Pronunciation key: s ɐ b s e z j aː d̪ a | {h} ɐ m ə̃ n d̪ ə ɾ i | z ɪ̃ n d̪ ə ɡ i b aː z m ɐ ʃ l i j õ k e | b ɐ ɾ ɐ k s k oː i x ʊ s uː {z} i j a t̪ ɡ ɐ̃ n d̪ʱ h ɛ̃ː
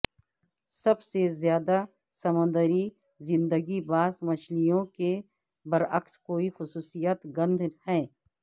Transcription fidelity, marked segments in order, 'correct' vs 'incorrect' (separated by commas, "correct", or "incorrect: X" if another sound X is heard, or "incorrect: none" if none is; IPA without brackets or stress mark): incorrect: s, incorrect: s